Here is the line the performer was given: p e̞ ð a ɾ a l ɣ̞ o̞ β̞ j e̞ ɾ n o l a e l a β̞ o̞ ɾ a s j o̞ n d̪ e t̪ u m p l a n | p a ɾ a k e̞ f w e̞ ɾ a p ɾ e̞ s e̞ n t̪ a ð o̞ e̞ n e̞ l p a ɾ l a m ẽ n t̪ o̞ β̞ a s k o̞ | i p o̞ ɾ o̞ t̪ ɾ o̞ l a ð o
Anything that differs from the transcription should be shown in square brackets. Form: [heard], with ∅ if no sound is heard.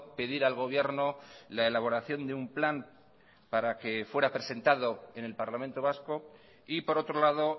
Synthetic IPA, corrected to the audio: p e̞ ð [i] ɾ a l ɣ̞ o̞ β̞ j e̞ ɾ n o l a e l a β̞ o̞ ɾ a [θ] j o̞ n d̪ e [∅] u m p l a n | p a ɾ a k e̞ f w e̞ ɾ a p ɾ e̞ s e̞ n t̪ a ð o̞ e̞ n e̞ l p a ɾ l a m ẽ n t̪ o̞ β̞ a s k o̞ | i p o̞ ɾ o̞ t̪ ɾ o̞ l a ð o